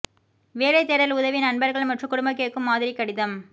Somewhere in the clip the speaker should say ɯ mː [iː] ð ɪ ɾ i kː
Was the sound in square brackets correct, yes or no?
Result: no